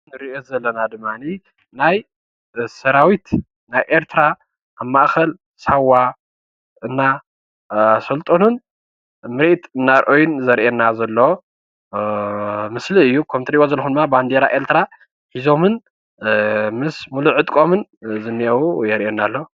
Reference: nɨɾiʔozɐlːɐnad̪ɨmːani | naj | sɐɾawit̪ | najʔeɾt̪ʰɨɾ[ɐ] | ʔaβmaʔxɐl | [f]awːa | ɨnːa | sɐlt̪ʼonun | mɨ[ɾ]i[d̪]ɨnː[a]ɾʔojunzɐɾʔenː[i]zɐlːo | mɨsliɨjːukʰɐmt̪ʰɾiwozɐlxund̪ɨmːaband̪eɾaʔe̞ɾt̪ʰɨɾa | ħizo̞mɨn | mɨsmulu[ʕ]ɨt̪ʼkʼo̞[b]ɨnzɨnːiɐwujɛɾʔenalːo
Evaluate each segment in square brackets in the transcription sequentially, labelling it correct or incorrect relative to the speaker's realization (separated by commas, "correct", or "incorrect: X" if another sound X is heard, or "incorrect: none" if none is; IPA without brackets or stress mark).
incorrect: a, incorrect: s, correct, incorrect: t̪, correct, incorrect: a, correct, incorrect: m